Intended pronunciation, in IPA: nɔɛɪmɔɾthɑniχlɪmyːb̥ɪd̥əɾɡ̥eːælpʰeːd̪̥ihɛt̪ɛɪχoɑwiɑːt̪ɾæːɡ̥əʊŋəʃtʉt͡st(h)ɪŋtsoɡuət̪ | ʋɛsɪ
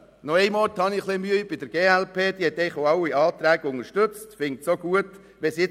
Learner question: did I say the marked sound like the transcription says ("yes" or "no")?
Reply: no